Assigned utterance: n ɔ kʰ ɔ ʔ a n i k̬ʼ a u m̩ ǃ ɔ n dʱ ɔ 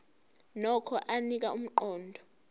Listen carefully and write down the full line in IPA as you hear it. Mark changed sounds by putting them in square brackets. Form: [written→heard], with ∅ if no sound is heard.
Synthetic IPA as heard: n ɔ kʰ ɔ ʔ a n i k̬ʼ a u m̩ ǃ [ɔ→ɔː] n dʱ ɔ